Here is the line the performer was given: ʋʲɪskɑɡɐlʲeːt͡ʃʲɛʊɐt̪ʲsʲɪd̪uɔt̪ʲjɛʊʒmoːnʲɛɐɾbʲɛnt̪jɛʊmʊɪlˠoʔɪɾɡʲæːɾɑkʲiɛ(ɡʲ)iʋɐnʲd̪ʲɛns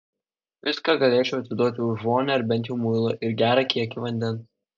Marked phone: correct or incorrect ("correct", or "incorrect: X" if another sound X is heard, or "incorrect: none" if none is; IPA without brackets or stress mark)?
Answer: incorrect: kʲ